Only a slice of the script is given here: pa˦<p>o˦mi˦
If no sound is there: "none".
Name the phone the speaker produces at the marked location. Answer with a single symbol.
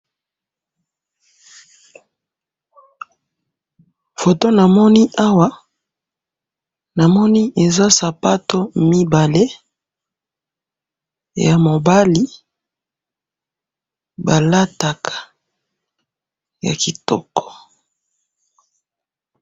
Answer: t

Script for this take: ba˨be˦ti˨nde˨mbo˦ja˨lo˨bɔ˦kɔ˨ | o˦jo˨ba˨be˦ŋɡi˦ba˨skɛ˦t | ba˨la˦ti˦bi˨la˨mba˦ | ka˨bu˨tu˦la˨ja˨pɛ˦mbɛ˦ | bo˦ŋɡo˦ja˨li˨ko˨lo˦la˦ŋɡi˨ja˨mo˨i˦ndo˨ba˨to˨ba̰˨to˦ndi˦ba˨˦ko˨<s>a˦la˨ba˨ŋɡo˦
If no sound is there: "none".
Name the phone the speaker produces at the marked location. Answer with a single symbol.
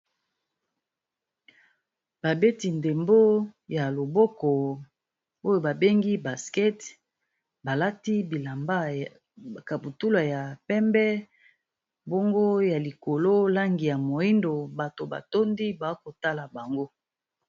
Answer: t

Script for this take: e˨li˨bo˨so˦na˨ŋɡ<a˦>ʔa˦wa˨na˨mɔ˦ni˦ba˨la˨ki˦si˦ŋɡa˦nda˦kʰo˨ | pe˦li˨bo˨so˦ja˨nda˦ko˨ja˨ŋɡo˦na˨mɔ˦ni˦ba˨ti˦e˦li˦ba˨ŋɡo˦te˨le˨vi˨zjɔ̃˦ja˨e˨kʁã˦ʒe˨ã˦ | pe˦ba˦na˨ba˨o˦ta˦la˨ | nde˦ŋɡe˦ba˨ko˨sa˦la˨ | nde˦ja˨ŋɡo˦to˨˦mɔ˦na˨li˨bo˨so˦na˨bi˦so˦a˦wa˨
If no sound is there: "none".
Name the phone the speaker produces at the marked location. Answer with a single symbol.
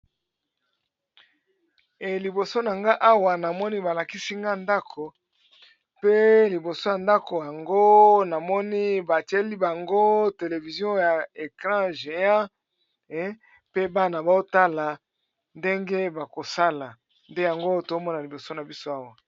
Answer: a˦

